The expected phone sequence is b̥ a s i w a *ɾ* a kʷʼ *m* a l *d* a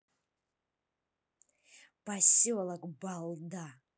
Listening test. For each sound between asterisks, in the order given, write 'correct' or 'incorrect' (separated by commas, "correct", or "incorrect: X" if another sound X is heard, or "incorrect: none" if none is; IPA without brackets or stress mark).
incorrect: l, incorrect: b, correct